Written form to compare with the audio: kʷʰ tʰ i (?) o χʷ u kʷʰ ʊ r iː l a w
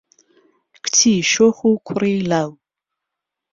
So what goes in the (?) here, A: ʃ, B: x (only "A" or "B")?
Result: A